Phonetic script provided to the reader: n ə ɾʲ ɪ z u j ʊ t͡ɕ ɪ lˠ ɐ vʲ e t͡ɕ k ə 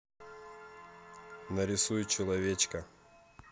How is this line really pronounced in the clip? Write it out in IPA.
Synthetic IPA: n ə ɾʲ ɪ s u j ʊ t͡ɕ ɪ lˠ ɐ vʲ e t͡ɕ k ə